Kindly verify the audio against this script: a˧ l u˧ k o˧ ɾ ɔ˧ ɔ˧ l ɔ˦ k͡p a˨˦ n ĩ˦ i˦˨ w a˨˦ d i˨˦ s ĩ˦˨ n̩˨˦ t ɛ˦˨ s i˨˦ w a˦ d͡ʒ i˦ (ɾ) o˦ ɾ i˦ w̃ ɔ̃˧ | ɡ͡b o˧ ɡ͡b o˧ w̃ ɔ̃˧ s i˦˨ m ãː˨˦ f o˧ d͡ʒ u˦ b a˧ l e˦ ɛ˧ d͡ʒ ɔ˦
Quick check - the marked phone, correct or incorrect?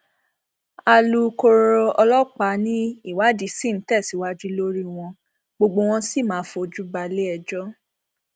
incorrect